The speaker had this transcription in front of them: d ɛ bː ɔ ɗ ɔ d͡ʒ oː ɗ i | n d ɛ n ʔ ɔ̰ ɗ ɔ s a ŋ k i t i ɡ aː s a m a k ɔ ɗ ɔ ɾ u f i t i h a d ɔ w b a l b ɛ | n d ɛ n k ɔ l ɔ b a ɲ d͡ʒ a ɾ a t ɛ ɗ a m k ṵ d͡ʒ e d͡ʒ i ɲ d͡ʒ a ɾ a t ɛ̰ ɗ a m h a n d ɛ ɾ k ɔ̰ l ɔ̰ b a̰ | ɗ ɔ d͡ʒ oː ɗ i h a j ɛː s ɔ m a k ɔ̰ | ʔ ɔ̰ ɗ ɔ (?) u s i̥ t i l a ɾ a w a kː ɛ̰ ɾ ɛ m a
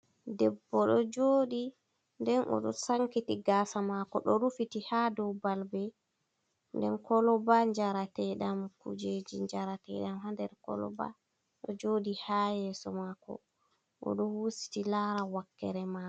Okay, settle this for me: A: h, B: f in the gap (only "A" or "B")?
A